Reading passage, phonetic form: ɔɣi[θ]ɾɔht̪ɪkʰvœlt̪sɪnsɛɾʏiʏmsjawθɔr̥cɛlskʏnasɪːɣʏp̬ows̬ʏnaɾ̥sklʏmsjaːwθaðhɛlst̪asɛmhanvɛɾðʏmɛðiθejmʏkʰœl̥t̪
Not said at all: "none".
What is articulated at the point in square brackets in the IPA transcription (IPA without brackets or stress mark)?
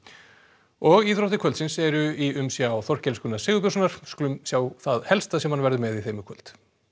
θ